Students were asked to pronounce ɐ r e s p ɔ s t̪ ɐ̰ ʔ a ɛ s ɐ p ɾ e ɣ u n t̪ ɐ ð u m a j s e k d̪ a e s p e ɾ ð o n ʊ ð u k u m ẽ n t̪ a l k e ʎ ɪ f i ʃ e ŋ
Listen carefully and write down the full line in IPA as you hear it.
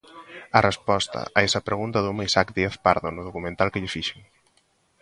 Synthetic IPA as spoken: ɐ r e s p ɔ s t̪ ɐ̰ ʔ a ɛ s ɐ p ɾ e ɣ u n t̪ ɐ ð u m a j s a k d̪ i e θ p a ɾ ð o n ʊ ð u k u m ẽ n t̪ a l k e ʎ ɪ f i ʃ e ŋ